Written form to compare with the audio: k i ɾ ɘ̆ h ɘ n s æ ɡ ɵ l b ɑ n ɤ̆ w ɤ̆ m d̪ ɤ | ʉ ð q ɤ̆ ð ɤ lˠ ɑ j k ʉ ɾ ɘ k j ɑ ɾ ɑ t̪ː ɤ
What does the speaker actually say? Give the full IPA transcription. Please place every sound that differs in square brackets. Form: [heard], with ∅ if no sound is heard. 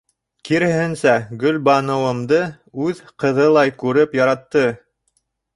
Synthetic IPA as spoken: k i ɾ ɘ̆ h ɘ n s æ ɡ ɵ l b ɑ n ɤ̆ w ɤ̆ m d̪ ɤ | ʉ ð q ɤ̆ ð ɤ lˠ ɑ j k ʉ ɾ ɘ [p] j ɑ ɾ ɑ t̪ː ɤ